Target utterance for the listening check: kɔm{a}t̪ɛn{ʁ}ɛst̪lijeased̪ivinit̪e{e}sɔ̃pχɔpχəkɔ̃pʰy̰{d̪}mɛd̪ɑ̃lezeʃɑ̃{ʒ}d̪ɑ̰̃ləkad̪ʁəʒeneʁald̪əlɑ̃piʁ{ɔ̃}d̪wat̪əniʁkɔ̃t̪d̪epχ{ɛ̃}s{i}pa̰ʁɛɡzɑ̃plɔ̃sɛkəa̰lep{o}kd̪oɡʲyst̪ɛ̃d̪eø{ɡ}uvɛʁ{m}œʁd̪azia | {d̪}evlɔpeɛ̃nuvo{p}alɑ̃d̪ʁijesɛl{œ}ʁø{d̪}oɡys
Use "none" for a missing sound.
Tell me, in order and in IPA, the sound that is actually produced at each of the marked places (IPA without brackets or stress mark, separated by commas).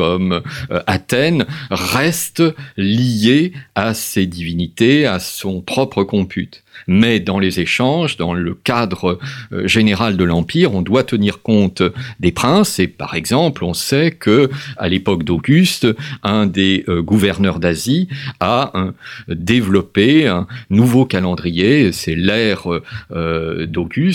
a, ʁ, a, t̪, ʒ, ɔ̃, ɛ̃, e, ɔ, ɡ, n, d̪, k, ɛ, d̪